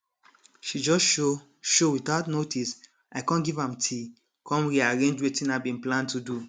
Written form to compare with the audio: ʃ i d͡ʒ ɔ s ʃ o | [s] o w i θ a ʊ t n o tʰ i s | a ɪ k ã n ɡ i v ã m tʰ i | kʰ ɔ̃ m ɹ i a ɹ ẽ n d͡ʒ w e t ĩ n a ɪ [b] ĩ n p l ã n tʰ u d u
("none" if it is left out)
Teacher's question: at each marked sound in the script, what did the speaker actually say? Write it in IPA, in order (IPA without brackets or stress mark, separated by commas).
ʃ, b